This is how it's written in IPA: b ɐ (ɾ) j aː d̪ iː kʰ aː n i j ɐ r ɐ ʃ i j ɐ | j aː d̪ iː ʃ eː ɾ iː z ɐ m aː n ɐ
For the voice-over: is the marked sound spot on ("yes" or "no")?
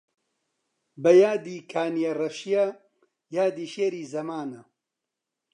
no